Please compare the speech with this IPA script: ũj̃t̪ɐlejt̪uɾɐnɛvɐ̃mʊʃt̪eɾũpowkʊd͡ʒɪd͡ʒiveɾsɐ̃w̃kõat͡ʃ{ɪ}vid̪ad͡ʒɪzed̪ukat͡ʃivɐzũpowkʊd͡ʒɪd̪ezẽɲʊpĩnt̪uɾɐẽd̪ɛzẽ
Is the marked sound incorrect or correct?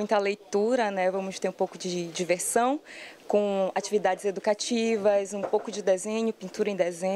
incorrect